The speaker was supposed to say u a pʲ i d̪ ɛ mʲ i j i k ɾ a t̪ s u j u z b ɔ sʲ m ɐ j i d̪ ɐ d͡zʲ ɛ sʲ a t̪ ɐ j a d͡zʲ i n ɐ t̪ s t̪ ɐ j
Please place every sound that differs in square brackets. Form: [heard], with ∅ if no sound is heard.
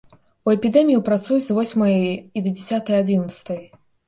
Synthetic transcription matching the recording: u [ɛ] pʲ i d̪ ɛ mʲ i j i [p] ɾ a t̪ s u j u z [v] ɔ sʲ m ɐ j i d̪ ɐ d͡zʲ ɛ sʲ a t̪ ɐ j a d͡zʲ i n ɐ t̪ s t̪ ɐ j